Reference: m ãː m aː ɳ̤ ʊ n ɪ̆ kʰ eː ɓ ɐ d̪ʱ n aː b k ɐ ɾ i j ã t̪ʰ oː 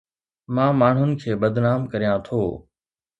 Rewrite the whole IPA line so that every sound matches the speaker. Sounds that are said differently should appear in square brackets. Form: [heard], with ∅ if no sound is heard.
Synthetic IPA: m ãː m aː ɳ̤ ʊ n ɪ̆ kʰ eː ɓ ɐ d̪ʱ n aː [m] k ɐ ɾ i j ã t̪ʰ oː